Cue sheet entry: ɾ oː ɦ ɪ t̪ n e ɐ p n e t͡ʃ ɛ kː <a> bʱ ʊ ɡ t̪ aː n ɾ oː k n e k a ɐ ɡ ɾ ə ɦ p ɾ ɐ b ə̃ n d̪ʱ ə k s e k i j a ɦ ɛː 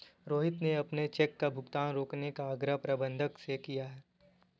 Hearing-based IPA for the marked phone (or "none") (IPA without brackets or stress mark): a